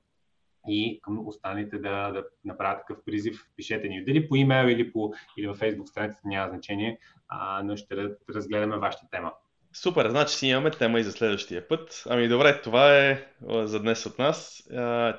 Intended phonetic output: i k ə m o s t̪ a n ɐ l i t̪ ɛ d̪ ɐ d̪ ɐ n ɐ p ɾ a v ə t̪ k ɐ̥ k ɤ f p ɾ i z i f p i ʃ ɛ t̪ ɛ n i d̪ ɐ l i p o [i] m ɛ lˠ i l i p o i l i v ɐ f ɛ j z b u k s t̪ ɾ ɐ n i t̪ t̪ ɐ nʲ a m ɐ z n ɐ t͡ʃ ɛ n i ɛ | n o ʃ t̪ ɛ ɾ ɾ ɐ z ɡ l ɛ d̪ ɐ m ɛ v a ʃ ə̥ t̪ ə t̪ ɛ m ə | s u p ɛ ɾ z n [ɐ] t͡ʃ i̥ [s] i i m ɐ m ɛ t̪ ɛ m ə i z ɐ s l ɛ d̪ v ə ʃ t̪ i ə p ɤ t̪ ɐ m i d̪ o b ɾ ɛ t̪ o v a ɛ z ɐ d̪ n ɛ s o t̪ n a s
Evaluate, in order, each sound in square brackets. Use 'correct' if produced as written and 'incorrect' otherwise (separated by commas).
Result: correct, incorrect, correct